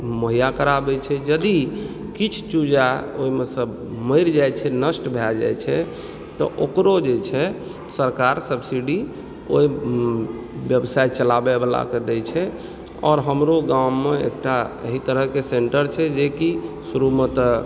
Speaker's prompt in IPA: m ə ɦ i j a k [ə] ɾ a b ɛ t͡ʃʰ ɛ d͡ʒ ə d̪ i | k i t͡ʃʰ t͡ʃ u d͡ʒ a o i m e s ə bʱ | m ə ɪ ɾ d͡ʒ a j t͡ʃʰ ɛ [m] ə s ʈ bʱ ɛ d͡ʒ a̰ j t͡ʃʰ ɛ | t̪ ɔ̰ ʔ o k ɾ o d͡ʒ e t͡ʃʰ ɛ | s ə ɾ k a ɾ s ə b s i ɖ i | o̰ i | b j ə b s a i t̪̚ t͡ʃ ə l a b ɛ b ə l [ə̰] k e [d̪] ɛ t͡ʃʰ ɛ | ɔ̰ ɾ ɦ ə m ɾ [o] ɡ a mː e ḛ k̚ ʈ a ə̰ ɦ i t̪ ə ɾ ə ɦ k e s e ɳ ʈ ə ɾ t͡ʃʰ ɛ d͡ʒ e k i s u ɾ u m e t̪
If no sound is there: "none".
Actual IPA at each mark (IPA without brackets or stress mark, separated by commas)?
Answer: ə, n, a̰, d̪, o